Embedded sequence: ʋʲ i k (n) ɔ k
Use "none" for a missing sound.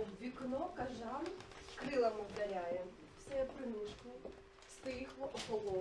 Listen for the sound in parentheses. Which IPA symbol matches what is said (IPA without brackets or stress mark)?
n